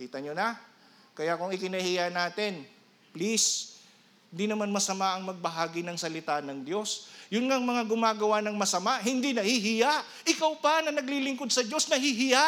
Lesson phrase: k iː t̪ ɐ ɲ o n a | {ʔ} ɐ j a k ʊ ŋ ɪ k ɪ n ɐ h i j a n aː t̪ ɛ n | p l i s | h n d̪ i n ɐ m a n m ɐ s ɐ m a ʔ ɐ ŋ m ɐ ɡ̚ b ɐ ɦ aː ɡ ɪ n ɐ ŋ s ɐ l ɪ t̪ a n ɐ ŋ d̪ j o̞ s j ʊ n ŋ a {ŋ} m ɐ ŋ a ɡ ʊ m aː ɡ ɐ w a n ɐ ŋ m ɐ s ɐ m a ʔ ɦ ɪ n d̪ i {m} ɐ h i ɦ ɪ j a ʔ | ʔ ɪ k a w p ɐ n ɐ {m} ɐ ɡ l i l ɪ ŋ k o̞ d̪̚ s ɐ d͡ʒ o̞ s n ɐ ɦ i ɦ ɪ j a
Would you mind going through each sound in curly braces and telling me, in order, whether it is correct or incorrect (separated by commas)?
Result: incorrect, correct, incorrect, incorrect